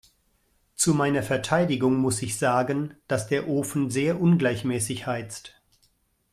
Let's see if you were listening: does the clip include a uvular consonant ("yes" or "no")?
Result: no